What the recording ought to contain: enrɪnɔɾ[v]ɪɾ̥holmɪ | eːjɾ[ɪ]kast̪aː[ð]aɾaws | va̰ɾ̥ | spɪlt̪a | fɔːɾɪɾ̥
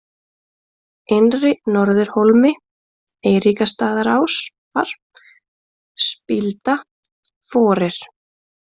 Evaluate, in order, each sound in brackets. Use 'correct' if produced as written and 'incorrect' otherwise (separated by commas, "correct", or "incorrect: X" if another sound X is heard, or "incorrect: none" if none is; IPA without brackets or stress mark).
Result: incorrect: ð, incorrect: i, correct